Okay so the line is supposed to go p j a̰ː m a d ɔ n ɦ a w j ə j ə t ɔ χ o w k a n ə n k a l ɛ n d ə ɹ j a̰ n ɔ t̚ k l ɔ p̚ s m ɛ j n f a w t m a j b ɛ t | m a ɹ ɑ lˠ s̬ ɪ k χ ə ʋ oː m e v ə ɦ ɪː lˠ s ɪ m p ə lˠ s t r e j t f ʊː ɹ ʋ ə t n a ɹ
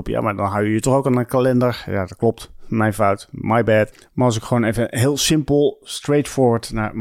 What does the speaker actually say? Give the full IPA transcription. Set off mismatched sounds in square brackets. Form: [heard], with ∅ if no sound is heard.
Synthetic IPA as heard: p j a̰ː m a d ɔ n ɦ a w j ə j ə t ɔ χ o w k a n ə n k a l ɛ n d ə ɹ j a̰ [d] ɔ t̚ k l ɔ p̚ [t] m ɛ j n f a w t m a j b ɛ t | m a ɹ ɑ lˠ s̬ ɪ k χ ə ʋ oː [n] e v ə ɦ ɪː lˠ s ɪ m p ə lˠ s t r e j t f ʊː ɹ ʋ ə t n a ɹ